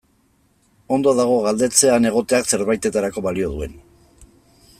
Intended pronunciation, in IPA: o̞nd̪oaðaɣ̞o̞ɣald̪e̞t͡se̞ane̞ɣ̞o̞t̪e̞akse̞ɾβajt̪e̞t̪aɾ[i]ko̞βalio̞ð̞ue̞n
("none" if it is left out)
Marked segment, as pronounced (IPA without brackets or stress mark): a